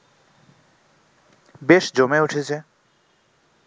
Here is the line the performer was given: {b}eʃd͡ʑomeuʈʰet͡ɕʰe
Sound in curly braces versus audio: correct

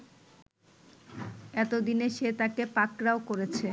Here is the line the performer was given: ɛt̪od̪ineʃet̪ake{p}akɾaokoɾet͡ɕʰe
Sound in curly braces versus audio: correct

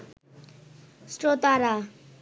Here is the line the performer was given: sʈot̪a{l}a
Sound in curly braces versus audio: incorrect: ɾ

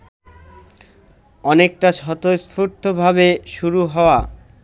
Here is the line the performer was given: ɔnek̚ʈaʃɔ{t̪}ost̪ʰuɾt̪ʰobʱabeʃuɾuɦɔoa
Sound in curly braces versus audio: correct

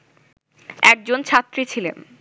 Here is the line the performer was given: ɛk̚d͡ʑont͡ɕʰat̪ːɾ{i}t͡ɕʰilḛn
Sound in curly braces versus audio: correct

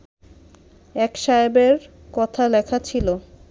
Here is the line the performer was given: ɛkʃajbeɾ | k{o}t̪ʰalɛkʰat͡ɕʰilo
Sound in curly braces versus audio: incorrect: ɔ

